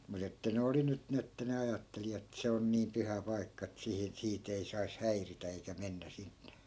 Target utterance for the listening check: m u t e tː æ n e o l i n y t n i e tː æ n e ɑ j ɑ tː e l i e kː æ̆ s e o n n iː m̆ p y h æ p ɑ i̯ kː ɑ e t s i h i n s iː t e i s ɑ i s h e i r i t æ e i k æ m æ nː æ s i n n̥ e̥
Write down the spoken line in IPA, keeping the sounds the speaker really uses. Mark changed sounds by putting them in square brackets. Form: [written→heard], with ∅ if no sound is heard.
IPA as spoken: m u t e tː æ n e o l i n y t n i e tː æ n e ɑ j ɑ tː e l i e [kː→tː] æ̆ s e o n n iː m̆ p y h æ p ɑ i̯ kː ɑ e t s i h i n s iː t e i s ɑ i s h [e→æ] i r i t æ e i k æ m [æ→e] nː æ s i n n̥ e̥

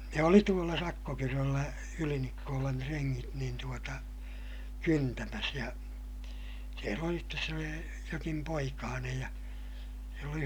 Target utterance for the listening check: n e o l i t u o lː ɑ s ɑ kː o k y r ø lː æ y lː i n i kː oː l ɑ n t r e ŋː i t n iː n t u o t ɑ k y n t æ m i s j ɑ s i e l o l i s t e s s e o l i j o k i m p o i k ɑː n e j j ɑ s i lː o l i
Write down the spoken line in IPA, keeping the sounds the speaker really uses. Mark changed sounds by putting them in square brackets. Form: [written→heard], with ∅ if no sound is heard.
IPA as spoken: n e o l i t u o lː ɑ s ɑ kː o k y r ø lː æ y [lː→l] i n i kː oː l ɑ n t r e ŋː i t n iː n t u o t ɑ k y n t æ m [i→æ] s j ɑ s i e l o l i s t e s s e o l i j o k i m p o i k ɑː n e j j ɑ s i lː o l i

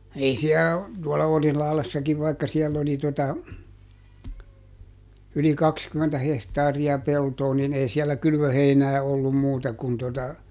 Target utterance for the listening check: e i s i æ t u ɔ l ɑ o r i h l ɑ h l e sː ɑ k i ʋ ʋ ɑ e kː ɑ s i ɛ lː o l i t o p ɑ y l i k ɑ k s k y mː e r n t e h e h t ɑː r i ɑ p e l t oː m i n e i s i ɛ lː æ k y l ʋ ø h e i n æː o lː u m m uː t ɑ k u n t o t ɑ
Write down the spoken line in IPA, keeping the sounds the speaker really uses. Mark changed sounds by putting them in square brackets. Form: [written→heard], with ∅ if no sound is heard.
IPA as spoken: e i s i æ t u ɔ l ɑ o r i h l ɑ h l e sː ɑ k i ʋ ʋ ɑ [e→i] kː ɑ s i ɛ lː o l i t o [p→t] ɑ y l i k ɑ k s k y mː e [r→∅] n t [e→æ] h e h t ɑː r i ɑ p e l t oː [m→n] i n e i s i ɛ lː æ k y l ʋ ø h e i n æː o lː u m m uː t ɑ k u n t o t ɑ

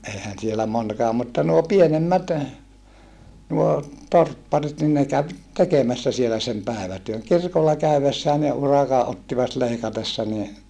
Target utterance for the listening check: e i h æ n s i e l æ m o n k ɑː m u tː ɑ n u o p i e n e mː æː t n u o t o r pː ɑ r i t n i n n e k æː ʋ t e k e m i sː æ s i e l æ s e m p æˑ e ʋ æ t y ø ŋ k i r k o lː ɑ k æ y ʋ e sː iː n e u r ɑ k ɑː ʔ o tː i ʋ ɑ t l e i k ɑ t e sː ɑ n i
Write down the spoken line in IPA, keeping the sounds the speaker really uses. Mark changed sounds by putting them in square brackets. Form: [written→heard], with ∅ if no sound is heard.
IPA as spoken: e i h æ n s i e l æ m o n k ɑː m u tː ɑ n u o p i e n e mː [æː→æ] t n u o t o r pː ɑ r i t n i n n e k [æː→æ] ʋ t e k e m [i→æ] sː æ s i e l æ s e m p æˑ e ʋ æ t y ø ŋ k i r k o lː ɑ k æ y ʋ e sː [iː→æː] n e u r ɑ k [ɑː→ɑ] ʔ o tː i ʋ ɑ t l e i k ɑ t e sː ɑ n i

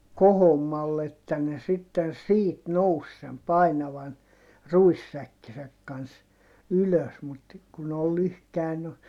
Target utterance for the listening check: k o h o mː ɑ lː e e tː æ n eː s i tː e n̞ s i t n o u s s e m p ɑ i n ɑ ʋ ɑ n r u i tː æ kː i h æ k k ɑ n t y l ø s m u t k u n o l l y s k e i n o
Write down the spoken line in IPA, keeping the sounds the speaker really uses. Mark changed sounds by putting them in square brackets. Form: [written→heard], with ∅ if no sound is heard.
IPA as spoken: k o h o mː ɑ lː e e tː æ n [eː→e] s i tː e n̞ s [i→iː] t n o u s s e m p ɑ i n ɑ ʋ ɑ n r u i [tː→sː] æ kː i [h→s] æ k k ɑ n [t→s] y l ø s m u t k u n o l l y [s→h] k [e→æ] i n o

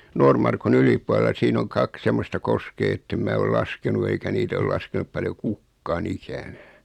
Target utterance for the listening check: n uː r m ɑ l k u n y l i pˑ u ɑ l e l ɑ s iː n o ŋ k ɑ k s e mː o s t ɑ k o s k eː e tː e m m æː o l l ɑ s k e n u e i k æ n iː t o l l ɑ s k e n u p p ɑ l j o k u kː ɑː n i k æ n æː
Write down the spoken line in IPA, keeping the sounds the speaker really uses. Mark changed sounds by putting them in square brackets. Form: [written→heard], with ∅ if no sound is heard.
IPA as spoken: n [uː→oː] r m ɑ [l→r] k u n y l i pˑ u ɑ l e l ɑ s iː n o ŋ k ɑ k s e mː o s t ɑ k o s k eː e tː e m m æː o l l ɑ s k e n u e i k æ n iː t o l l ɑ s k e n u p p ɑ l j o k u kː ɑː n i k æ n æː

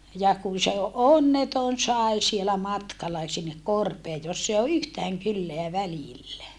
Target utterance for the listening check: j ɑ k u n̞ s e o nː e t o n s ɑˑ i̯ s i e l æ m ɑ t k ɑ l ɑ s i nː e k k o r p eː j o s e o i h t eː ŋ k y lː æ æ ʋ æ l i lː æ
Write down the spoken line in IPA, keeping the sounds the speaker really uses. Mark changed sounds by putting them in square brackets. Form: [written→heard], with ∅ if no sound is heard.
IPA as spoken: j ɑ k u n̞ s e o nː e t o n s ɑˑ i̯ s i e l æ m ɑ t k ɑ l ɑ s i nː e k k o r p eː j o [s→sː] e o [i→y] h t [eː→æː] ŋ k y lː [æ→e] æ ʋ æ l i lː æ

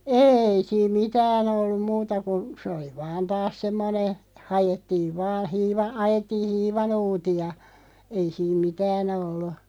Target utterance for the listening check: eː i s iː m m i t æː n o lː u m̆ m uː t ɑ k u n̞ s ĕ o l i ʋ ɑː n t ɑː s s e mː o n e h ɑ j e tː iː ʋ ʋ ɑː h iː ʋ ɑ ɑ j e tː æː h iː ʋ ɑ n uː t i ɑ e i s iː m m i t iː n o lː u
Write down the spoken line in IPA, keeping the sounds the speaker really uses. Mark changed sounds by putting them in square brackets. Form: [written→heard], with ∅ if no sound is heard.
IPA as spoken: eː i s iː m m i t æː n o lː u m̆ m uː t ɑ k u n̞ s ĕ o l i ʋ ɑː n t ɑː s s e mː o n e h ɑ j e tː iː ʋ ʋ ɑː h iː ʋ ɑ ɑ j e tː [æː→iː] h iː ʋ ɑ n uː t i ɑ e i s iː m m i t [iː→æː] n o lː u

